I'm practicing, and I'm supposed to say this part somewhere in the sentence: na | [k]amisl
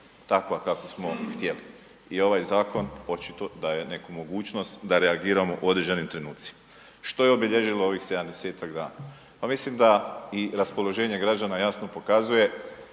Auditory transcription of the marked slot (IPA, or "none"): p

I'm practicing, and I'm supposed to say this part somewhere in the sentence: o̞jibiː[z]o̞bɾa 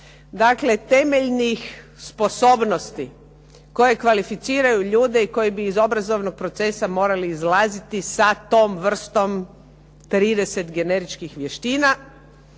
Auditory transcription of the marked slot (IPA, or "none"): z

